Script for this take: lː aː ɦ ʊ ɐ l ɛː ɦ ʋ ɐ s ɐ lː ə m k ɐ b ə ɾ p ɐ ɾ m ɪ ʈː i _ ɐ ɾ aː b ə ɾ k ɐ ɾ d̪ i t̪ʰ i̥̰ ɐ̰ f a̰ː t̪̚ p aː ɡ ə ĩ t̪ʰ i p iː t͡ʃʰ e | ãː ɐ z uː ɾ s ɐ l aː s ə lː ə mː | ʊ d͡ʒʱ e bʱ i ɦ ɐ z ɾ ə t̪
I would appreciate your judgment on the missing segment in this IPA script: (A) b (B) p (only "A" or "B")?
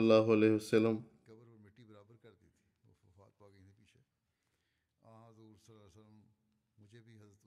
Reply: A